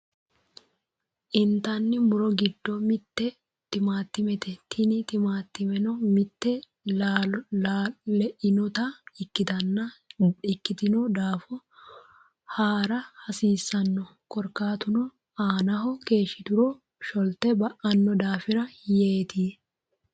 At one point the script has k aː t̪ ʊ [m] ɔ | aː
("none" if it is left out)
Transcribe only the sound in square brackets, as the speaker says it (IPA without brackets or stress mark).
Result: n